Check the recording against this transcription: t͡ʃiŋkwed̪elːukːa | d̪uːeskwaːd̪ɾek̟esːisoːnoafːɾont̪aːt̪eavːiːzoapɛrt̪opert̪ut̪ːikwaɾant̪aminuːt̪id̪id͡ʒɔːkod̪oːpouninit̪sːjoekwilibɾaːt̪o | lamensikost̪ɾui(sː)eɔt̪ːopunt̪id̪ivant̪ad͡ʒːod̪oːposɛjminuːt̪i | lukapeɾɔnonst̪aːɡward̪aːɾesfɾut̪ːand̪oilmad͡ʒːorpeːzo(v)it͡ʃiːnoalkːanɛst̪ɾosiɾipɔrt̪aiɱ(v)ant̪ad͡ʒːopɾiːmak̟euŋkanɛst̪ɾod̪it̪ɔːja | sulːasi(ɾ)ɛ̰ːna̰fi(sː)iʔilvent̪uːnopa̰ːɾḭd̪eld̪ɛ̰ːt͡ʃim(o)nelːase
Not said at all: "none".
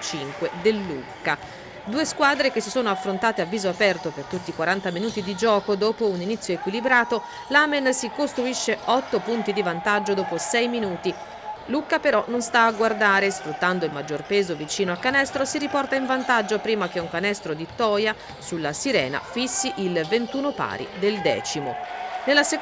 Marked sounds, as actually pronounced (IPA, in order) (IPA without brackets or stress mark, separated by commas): ʃː, v, v, ɾ, sː, o